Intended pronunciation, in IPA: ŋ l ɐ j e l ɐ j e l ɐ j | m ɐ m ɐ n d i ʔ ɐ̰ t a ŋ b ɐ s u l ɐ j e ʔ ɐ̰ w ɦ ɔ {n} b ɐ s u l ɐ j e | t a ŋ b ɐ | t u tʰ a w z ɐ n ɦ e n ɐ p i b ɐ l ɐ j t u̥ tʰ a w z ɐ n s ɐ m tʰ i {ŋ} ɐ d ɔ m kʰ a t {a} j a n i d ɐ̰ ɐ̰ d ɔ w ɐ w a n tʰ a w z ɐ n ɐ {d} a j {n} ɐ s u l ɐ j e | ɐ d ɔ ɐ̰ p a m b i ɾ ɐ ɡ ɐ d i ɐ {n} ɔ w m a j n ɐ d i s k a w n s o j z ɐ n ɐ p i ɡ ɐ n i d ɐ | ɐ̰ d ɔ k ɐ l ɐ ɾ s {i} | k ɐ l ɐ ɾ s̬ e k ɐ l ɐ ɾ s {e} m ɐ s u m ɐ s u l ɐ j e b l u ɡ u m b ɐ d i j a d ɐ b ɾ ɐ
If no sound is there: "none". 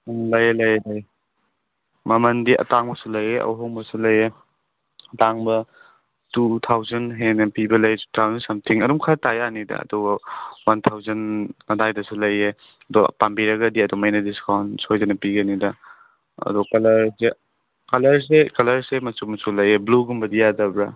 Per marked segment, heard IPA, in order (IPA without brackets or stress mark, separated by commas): ŋ, ŋ, a, d, d, d, e, e